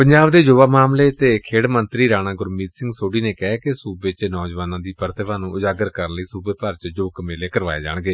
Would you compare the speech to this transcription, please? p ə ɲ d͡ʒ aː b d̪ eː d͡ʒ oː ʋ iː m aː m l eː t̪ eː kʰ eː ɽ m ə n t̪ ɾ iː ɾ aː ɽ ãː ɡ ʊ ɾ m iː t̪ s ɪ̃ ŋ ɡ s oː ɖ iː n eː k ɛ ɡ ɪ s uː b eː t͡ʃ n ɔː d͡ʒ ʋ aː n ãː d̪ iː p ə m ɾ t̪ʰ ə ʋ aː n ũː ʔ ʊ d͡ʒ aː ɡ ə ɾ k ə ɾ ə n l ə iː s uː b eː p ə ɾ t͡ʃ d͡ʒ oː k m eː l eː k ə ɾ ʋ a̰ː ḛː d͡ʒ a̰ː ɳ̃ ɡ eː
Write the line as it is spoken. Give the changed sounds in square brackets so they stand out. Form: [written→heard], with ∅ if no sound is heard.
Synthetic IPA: p ə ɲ d͡ʒ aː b d̪ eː d͡ʒ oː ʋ [iː→aː] m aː m l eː t̪ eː kʰ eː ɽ m ə n t̪ ɾ iː ɾ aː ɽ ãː ɡ ʊ ɾ m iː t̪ s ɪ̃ ŋ ɡ s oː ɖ iː n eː k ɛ [ɡ→k] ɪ s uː b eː t͡ʃ n ɔː d͡ʒ ʋ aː n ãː d̪ iː p ə [m→∅] ɾ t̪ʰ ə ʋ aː n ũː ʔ ʊ d͡ʒ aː ɡ ə ɾ k ə ɾ ə n l ə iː s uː b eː p ə ɾ t͡ʃ d͡ʒ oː k m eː l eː k ə ɾ ʋ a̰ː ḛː d͡ʒ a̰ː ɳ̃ ɡ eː